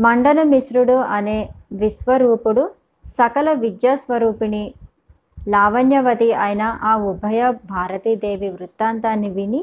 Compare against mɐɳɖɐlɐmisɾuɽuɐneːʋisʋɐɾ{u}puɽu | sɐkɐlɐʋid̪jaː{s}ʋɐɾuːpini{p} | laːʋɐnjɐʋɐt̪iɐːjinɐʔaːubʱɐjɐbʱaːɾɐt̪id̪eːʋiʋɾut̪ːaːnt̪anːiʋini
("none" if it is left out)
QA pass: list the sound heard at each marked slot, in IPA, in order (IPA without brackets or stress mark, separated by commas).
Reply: uː, s, none